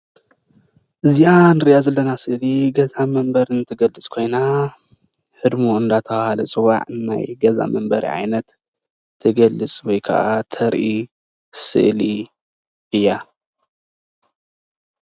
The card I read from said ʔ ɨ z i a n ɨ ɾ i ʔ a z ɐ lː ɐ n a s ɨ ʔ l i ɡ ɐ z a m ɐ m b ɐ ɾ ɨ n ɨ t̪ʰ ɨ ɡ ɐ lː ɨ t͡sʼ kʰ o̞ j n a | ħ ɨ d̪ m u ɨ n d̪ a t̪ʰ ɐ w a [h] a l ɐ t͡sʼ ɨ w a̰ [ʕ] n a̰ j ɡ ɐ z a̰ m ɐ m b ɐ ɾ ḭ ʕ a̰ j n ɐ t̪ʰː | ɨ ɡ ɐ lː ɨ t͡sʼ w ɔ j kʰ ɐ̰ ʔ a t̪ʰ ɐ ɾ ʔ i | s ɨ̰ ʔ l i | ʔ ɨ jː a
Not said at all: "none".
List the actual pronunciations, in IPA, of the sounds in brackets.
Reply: h, ʕ

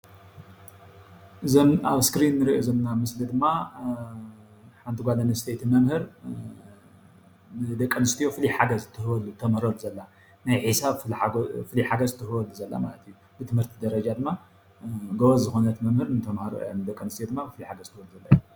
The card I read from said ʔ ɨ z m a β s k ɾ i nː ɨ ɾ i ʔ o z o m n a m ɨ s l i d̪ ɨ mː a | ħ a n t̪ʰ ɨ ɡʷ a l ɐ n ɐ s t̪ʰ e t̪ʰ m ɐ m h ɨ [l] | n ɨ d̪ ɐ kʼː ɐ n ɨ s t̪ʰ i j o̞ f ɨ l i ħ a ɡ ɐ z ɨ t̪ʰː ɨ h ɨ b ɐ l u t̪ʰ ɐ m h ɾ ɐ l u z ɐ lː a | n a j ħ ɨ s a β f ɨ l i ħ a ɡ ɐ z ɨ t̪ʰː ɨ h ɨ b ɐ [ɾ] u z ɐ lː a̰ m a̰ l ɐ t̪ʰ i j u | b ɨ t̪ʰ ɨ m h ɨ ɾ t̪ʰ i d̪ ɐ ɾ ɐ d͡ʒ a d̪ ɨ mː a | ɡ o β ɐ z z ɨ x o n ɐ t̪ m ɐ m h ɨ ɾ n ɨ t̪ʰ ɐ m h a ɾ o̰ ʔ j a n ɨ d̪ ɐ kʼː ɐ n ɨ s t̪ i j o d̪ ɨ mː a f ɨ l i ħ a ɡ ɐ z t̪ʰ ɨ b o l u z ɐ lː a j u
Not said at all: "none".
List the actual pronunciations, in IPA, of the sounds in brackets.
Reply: ɾ, l

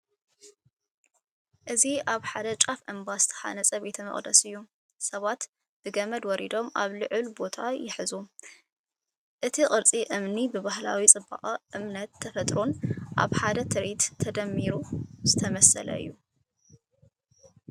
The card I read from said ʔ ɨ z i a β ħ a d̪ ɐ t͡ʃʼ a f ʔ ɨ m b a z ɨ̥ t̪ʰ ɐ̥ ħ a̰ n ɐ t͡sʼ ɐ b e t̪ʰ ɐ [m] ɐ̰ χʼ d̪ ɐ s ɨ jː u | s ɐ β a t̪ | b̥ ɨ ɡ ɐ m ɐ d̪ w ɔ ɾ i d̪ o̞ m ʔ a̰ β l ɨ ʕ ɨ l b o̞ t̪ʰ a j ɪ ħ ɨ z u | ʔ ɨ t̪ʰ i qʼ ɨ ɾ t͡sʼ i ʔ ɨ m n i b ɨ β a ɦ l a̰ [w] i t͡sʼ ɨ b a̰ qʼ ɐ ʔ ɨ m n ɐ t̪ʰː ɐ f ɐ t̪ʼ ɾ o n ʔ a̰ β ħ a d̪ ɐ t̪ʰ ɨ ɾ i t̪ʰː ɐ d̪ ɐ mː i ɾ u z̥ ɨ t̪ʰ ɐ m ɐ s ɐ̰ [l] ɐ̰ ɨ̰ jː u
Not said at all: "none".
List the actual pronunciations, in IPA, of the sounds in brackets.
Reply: m, w, l

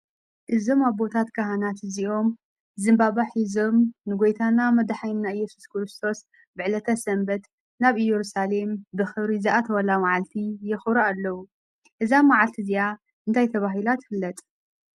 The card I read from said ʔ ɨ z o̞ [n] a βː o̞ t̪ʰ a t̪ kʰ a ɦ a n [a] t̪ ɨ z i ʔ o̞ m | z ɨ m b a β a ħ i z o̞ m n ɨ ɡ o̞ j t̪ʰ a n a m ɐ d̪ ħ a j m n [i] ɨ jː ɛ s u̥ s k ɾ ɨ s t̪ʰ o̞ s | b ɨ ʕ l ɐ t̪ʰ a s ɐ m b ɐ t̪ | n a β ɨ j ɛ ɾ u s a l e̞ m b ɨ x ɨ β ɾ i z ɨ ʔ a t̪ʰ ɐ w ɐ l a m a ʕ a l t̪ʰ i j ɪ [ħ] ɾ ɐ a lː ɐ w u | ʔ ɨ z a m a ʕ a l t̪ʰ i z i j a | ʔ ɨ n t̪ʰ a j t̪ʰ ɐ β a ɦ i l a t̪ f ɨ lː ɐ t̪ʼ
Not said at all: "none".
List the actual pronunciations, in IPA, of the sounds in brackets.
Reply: m, a, a, x

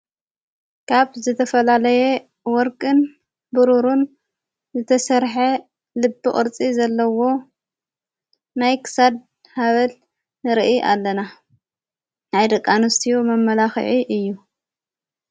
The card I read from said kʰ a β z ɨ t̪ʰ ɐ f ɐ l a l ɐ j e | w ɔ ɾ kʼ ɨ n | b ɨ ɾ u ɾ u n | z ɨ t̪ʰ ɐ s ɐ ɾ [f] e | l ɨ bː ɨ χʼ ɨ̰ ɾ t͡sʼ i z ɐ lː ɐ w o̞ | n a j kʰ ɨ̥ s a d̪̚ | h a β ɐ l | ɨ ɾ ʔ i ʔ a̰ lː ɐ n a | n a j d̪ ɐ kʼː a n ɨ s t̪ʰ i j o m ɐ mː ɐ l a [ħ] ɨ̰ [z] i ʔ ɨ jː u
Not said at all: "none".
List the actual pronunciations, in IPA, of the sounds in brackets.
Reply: ħ, x, ʕ

